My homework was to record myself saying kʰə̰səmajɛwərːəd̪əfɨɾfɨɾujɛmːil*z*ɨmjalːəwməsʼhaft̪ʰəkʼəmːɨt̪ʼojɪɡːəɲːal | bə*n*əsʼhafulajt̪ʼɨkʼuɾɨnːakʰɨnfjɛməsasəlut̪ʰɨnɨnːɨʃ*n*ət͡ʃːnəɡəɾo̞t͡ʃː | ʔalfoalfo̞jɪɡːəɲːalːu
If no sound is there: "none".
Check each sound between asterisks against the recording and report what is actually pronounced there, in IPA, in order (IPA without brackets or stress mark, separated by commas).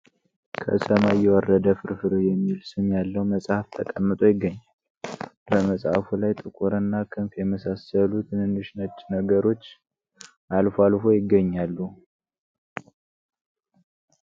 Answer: s, m, n